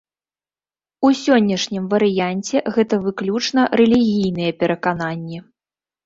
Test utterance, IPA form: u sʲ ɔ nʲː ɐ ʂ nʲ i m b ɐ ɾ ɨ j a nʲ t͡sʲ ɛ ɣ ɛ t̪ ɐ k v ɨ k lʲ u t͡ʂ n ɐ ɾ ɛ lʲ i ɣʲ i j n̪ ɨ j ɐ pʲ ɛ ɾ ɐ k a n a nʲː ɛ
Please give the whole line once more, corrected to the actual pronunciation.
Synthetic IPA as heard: u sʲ ɔ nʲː ɐ ʂ nʲ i m v ɐ ɾ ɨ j a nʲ t͡sʲ ɛ ɣ ɛ t̪ ɐ v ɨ k lʲ u t͡ʂ n ɐ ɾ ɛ lʲ i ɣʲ i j n̪ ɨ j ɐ pʲ ɛ ɾ ɐ k a n a nʲː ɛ